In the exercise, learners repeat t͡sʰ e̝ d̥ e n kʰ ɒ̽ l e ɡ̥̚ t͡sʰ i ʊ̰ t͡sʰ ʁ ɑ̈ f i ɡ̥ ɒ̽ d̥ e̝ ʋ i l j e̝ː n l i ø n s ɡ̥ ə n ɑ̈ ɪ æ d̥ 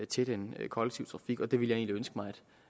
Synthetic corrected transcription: t͡sʰ e̝ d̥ e n kʰ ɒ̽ l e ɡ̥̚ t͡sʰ i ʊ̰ t͡sʰ ʁ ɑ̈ f i ɡ̥ ɒ̽ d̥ e̝ ʋ i l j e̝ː n l i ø n s ɡ̥ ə m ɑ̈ ɪ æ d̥